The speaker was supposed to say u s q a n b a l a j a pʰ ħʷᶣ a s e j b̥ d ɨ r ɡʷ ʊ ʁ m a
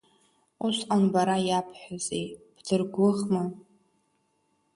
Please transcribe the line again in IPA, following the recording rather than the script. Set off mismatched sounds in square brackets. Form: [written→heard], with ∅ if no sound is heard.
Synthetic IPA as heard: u s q a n b a [l→ɾ] a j a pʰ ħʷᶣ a [s→z] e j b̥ d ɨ r ɡʷ ʊ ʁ m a

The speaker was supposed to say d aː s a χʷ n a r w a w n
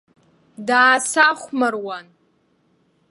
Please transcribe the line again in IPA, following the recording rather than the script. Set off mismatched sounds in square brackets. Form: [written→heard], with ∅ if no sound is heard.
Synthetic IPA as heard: d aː s a χʷ [n→m] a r w a [w→∅] n

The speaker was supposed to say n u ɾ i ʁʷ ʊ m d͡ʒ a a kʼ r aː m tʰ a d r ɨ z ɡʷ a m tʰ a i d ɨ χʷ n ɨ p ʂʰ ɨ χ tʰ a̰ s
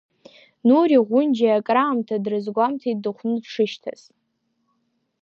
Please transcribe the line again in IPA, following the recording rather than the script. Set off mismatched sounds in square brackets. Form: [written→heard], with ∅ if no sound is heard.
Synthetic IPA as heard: n u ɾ i ʁʷ ʊ [m→n] d͡ʒ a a kʼ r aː m tʰ a d r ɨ z ɡʷ a m tʰ a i d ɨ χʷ n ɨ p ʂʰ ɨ [χ→ʃ] tʰ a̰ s

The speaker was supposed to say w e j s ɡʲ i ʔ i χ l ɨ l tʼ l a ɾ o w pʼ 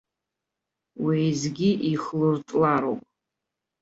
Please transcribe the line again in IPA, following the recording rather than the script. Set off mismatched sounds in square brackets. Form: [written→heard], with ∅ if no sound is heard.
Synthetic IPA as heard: w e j [s→z] ɡʲ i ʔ i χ l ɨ [l→r] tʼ l a ɾ o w pʼ

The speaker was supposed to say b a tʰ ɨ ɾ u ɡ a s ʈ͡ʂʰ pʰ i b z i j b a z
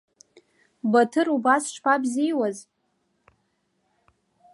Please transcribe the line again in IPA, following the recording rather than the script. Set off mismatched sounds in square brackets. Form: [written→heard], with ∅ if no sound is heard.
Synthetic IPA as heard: b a tʰ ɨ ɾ u [ɡ→b] a s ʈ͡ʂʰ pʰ [i→a] b z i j [b→w] a z

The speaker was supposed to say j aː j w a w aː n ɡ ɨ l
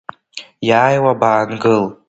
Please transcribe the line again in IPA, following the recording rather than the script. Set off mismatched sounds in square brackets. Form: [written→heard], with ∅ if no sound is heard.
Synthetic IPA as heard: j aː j w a [w→b] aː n ɡ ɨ l

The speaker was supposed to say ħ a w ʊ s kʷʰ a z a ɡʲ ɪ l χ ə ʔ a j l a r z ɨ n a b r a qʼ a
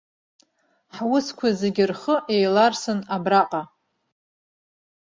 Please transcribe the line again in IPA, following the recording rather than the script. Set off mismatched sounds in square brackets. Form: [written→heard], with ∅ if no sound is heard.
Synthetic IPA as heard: ħ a w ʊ s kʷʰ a z [a→e] ɡʲ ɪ [l→r] χ ə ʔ [a→e] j l a r [z→s] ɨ n a b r a qʼ a

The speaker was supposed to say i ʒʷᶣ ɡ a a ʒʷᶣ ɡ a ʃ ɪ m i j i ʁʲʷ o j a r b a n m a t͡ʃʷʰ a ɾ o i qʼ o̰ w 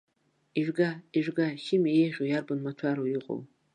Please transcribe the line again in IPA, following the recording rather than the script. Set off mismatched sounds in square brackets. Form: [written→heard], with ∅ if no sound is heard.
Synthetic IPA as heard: i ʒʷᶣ ɡ a [a→i] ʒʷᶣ ɡ a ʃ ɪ m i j [i→e] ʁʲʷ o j a r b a n m a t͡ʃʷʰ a ɾ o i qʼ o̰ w

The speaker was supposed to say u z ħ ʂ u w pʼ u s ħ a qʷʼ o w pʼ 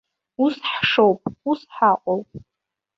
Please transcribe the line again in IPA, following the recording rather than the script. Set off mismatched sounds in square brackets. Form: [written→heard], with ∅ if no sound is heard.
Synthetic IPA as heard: u [z→s] ħ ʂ [u→o] w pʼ u s ħ a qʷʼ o w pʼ

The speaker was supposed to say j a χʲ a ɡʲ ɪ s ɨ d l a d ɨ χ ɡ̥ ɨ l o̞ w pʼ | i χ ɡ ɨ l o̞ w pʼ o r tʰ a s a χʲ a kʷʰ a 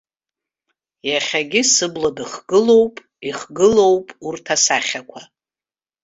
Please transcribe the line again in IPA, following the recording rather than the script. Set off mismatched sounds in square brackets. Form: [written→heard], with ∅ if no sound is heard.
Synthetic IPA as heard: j a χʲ a ɡʲ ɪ s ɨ [d→b] l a d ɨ χ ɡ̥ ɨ l o̞ w pʼ | i χ ɡ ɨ l o̞ w pʼ [o→u] r tʰ a s a χʲ a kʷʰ a

